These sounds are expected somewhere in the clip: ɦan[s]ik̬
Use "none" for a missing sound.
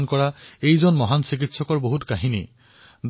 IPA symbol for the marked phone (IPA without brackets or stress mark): s